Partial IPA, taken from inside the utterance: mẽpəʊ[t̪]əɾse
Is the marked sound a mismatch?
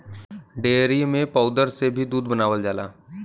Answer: yes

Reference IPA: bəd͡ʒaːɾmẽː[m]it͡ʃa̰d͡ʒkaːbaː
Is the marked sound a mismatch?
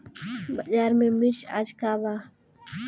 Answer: no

